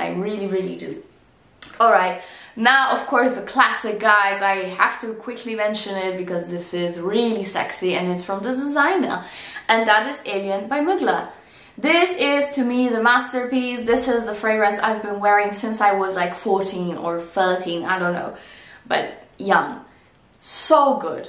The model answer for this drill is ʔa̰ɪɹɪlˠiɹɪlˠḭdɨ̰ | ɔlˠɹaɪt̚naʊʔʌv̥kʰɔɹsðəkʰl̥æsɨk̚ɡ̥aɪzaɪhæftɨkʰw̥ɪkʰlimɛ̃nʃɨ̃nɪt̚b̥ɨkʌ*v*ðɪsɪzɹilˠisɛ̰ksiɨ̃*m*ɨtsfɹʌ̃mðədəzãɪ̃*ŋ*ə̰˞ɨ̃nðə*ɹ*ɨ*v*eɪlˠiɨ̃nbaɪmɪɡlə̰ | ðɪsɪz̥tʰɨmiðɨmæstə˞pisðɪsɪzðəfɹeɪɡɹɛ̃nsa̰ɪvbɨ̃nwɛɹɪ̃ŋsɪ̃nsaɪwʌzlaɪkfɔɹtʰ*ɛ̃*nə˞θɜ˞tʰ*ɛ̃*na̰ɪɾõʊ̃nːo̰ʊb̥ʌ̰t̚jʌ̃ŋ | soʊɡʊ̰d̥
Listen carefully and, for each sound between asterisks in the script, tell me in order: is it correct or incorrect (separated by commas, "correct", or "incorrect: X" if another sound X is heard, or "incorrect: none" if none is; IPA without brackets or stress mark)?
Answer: incorrect: z, incorrect: n, incorrect: n, incorrect: ɾ, incorrect: z, incorrect: ĩ, incorrect: ĩ